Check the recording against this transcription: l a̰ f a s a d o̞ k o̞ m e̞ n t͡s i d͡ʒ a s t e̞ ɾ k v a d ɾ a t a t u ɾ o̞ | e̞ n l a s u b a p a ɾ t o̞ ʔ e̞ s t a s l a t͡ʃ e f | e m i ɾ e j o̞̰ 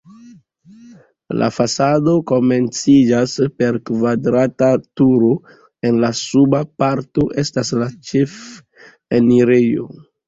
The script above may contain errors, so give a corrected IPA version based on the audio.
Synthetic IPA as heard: l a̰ f a s a d o̞ k o̞ m e̞ n t͡s i d͡ʒ a s p e̞ ɾ k v a d ɾ a t a t u ɾ o̞ | e̞ n l a s u b a p a ɾ t o̞ ʔ e̞ s t a s l a t͡ʃ e f | e n i ɾ e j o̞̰